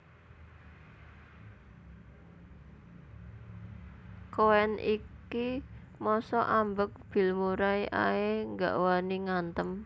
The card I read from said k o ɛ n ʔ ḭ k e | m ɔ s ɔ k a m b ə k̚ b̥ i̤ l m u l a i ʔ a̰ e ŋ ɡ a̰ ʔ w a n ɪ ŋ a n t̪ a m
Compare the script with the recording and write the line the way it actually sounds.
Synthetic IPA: k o ɛ n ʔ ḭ k i | m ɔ s ɔ ʔ a m b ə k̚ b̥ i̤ l m u ɾ a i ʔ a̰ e ŋ ɡ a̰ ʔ w a n i ŋ a n t̪ ə m